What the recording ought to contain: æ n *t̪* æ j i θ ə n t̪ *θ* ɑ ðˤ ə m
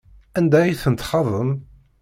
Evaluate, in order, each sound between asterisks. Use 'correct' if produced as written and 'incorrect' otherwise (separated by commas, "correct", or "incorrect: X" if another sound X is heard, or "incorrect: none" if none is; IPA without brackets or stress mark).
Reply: incorrect: d̪, incorrect: χ